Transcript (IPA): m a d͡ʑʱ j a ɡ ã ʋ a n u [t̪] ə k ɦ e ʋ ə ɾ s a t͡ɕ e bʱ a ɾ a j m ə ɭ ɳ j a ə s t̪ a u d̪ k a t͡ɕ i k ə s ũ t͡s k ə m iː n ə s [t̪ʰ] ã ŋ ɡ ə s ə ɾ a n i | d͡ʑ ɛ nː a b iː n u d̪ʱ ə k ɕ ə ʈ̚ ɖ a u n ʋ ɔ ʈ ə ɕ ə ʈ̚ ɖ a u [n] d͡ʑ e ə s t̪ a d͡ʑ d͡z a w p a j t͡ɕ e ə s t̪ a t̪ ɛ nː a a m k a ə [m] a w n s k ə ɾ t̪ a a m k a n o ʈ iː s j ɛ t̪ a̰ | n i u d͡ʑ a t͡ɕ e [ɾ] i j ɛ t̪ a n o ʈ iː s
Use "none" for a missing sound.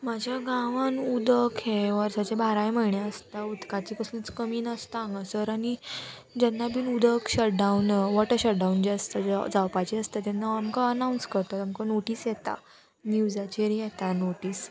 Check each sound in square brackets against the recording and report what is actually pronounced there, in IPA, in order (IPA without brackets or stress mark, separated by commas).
d̪, t̪, n, n, ɾ